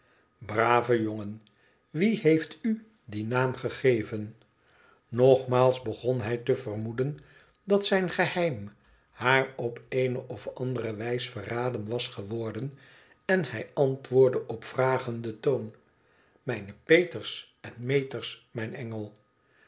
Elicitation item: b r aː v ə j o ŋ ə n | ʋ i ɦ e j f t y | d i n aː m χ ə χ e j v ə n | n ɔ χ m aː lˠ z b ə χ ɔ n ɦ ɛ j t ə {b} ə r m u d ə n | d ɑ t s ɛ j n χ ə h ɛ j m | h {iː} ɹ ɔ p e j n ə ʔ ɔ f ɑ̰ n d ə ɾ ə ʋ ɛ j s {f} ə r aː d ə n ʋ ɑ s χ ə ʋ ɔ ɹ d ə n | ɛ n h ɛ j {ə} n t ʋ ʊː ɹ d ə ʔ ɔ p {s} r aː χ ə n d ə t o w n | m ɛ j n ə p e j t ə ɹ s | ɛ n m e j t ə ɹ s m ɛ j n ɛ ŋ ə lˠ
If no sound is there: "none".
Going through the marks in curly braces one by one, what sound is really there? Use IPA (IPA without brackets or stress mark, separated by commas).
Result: v, aː, f, ɑ, f